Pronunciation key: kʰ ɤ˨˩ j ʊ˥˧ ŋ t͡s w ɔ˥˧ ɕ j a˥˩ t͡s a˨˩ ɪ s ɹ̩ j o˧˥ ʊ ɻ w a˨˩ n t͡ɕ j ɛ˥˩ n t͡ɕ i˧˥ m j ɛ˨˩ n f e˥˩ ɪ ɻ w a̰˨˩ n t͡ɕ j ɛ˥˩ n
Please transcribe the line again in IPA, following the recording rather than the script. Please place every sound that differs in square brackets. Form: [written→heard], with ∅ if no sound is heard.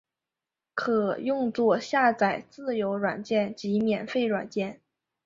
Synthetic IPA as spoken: kʰ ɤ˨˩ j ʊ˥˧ ŋ t͡s w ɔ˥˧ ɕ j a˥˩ t͡s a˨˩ ɪ [s→t͡s] ɹ̩ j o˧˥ ʊ ɻ w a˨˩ n t͡ɕ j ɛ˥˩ n t͡ɕ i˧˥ m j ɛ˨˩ n f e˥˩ ɪ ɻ w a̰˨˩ n t͡ɕ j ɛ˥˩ n